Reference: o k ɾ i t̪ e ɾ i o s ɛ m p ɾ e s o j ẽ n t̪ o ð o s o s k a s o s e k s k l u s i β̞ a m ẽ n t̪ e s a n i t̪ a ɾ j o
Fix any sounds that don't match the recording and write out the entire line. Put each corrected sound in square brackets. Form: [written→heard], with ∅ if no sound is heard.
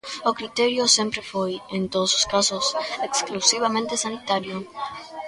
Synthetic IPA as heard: o k ɾ i t̪ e ɾ [i→j] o s [ɛ→e] m p ɾ e [s→f] o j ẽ n t̪ o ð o s o s k a s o s e k s k l u s i β̞ a m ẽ n t̪ e s a n i t̪ a ɾ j o